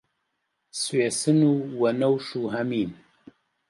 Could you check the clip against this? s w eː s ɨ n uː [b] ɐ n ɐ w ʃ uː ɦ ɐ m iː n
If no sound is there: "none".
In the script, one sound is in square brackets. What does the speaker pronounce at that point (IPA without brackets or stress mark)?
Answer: w